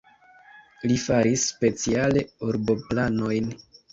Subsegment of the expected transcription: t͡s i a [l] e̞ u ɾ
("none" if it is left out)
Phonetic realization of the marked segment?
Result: l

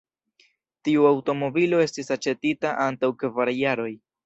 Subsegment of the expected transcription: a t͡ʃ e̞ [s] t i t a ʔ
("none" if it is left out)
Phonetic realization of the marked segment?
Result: none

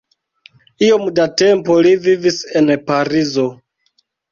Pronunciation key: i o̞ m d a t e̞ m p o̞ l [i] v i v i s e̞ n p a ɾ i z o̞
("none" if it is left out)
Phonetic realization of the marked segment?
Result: i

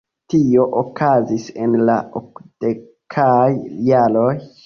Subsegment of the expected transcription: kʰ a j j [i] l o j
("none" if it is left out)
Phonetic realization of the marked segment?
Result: a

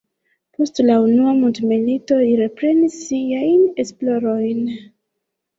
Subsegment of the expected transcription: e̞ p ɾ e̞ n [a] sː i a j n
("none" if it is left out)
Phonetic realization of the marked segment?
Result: i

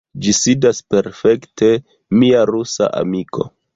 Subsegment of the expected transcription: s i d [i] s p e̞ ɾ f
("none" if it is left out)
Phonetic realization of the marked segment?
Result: a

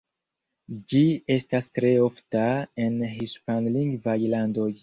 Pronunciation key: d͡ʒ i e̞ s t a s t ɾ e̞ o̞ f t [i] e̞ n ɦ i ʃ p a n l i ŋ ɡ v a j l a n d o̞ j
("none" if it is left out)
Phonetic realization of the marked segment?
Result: a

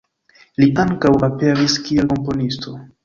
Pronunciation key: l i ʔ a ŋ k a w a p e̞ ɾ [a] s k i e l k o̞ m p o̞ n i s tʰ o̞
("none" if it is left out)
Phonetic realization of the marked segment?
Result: i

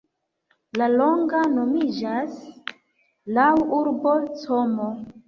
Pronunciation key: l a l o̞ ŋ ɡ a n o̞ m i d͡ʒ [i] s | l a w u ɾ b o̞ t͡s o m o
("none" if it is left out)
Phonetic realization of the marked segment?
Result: a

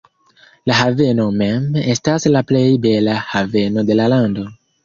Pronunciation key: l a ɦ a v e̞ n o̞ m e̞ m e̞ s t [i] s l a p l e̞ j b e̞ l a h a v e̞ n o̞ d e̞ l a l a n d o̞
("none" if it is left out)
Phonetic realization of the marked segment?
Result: a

